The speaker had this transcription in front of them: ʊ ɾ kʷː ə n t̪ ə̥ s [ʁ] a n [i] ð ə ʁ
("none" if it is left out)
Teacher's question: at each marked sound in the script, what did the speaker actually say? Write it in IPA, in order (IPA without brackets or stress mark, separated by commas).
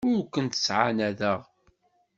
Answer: ʕ, æ